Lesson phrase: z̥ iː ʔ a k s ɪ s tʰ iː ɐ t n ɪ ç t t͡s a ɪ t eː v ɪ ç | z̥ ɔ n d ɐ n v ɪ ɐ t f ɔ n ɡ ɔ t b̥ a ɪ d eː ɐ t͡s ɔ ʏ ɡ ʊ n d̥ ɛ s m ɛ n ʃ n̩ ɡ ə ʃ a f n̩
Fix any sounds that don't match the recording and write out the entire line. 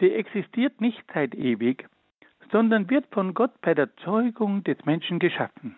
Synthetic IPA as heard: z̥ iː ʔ ɛ k s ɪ s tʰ iː ɐ t n ɪ ç t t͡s a ɪ t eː v ɪ ç | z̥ ɔ n d ɐ n v ɪ ɐ t f ɔ n ɡ ɔ t b̥ a ɪ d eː ɐ t͡s ɔ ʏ ɡ ʊ ŋ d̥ ɛ s m ɛ n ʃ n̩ ɡ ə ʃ a f n̩